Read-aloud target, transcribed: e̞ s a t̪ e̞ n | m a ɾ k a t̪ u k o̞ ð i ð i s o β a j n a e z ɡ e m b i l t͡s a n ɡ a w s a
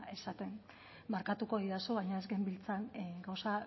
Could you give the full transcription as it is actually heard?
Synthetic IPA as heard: e̞ s a t̪ e̞ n | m a ɾ k a t̪ u k o̞ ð i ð a s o β a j ɲ a e z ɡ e m b i l t͡s a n ɡ a w s a